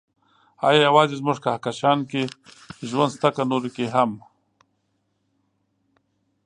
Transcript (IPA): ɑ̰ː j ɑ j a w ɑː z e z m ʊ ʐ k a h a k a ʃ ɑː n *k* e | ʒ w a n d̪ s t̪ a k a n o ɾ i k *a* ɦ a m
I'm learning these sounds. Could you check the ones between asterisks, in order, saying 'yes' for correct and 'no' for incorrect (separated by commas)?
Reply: yes, no